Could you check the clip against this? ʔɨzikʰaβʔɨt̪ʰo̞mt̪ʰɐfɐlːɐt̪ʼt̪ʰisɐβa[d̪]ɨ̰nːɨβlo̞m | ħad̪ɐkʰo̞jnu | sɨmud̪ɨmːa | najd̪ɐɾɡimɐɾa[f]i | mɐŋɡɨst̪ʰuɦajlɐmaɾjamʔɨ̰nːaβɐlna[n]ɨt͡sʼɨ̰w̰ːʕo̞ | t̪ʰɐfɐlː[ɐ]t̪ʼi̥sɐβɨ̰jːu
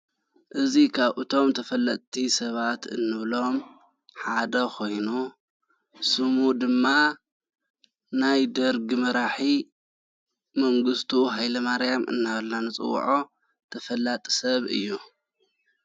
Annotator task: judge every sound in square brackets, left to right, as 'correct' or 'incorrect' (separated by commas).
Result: incorrect, incorrect, correct, incorrect